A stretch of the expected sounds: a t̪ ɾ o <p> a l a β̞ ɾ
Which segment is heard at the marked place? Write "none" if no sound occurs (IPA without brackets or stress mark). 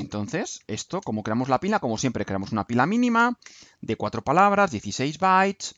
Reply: p